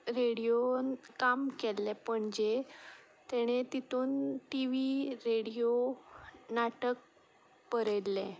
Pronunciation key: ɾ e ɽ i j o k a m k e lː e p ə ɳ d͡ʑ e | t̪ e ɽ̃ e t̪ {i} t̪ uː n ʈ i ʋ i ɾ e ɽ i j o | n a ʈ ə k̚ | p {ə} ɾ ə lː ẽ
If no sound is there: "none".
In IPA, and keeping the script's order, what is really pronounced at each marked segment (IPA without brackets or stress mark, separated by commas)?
i, ə